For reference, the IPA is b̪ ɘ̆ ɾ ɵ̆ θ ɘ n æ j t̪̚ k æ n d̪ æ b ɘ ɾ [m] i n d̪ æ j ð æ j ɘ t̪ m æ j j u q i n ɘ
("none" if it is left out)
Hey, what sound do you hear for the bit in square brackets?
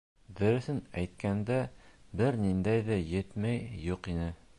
n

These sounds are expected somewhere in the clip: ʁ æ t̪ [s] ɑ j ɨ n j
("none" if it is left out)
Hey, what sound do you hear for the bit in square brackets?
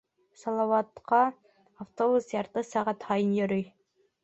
h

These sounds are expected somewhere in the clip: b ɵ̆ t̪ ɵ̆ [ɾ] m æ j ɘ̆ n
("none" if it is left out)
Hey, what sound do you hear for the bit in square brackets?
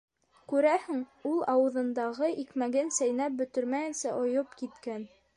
ɾ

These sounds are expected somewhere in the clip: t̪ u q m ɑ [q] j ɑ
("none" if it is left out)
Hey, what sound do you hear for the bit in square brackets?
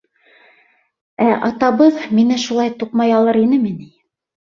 none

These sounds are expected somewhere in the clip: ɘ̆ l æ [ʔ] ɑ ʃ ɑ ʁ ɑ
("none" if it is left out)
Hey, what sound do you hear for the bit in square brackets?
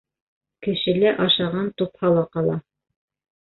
ʔ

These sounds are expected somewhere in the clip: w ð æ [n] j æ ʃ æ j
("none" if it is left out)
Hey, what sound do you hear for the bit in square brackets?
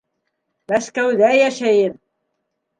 none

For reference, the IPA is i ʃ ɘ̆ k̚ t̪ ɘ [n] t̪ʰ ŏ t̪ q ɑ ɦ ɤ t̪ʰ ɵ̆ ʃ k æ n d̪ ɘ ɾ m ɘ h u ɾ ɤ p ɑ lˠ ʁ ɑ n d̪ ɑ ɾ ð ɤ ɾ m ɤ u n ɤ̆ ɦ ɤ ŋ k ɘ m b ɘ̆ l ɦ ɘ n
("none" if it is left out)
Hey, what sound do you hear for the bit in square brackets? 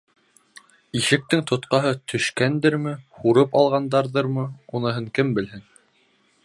ŋ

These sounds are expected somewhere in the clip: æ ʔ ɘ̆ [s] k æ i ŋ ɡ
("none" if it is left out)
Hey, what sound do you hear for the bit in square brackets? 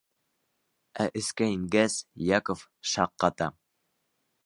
s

